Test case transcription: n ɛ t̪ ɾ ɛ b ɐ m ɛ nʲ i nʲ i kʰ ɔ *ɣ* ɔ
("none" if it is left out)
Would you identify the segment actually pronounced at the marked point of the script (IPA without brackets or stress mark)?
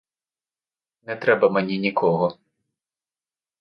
ɣ